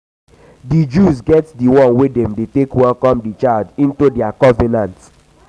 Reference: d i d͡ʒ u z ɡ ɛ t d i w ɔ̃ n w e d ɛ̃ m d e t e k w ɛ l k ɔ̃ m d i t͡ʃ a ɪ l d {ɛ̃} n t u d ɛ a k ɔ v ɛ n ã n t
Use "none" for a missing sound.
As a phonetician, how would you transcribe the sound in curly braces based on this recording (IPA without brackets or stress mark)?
ĩ